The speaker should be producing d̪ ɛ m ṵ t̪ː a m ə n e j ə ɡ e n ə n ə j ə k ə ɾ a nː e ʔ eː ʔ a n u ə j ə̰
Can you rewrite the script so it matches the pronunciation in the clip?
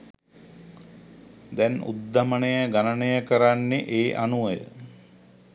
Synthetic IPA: d̪ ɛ n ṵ d̪ː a m ə n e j ə ɡ a n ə n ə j ə k ə ɾ a nː e ʔ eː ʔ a n u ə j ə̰